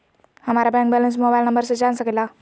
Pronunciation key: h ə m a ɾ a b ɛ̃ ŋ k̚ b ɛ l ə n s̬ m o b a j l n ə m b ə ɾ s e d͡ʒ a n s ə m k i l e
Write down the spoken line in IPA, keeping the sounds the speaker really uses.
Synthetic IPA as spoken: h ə m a ɾ a b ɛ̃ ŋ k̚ b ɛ l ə n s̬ m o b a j l n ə m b ə ɾ s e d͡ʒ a n s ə k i l a